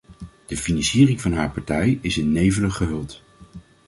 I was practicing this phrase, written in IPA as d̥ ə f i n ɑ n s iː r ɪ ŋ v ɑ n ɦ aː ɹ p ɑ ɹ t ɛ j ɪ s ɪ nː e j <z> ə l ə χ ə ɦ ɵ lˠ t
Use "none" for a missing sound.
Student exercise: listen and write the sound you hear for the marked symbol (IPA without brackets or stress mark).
v